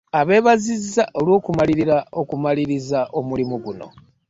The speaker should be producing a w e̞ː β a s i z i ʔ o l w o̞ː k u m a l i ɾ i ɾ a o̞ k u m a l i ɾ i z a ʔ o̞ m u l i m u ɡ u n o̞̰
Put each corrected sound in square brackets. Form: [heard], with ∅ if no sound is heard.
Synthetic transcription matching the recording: a [β] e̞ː β a [z] i z [a] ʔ o l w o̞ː k u m a l i ɾ i ɾ a o̞ k u m a l i ɾ i z a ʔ o̞ m u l i m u ɡ u n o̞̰